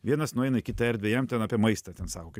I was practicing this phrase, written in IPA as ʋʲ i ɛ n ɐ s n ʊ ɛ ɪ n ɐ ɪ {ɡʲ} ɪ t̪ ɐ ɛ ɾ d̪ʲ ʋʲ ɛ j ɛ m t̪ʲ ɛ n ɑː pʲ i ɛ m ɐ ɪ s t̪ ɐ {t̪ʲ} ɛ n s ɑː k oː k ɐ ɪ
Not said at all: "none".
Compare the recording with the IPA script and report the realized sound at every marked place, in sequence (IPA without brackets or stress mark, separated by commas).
kʲ, t̪ʲ